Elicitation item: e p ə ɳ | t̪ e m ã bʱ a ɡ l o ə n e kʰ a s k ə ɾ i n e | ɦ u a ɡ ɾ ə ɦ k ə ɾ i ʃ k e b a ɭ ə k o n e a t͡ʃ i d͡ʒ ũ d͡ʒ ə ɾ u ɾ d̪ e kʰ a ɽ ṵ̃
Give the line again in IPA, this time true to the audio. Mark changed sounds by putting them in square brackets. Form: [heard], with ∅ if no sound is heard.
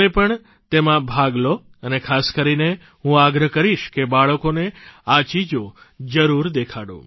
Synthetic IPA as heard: e p ə ɳ | t̪ e m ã bʱ a ɡ l o ə n e kʰ a s k ə ɾ i n e | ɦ [ũ] a ɡ ɾ ə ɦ k ə ɾ i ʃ k e b a ɭ ə k o n e a t͡ʃ i d͡ʒ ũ d͡ʒ ə ɾ u ɾ d̪ e kʰ a ɽ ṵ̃